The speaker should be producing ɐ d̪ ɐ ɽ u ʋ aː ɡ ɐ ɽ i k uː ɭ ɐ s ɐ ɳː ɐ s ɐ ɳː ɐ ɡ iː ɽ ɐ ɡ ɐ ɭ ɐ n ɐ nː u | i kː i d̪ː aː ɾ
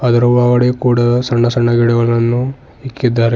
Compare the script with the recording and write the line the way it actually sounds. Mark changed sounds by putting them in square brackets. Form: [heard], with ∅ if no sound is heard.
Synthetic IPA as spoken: ɐ d̪ ɐ [ɾ] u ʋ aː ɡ ɐ ɽ [e] k uː [ɽ] ɐ s ɐ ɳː ɐ s ɐ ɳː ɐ ɡ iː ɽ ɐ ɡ ɐ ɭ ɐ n ɐ nː u | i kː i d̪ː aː ɾ